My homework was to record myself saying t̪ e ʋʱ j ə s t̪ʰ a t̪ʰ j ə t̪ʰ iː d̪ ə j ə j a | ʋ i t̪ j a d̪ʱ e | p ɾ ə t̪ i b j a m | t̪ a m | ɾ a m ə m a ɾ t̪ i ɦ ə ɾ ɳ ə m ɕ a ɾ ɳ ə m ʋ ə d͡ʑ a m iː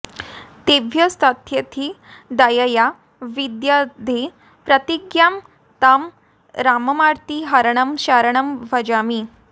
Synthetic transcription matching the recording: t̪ e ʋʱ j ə s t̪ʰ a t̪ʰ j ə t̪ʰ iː d̪ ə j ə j a | ʋ i d̪ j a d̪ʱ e | p ɾ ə t̪ i ɡ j a m | t̪ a m | ɾ a m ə m a ɾ t̪ i ɦ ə ɾ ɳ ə m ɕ a ɾ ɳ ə m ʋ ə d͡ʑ a m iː

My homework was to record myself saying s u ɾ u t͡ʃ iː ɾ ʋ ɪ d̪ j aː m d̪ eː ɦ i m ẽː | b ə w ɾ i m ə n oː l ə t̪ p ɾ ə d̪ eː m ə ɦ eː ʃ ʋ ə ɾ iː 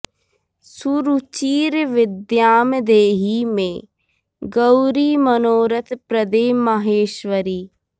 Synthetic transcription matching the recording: s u ɾ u t͡ʃ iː ɾ ʋ ɪ d̪ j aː m d̪ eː ɦ i m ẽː | ɡ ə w ɾ i m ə n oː ɾ ə t̪ p ɾ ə d̪ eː m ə ɦ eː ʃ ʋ ə ɾ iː

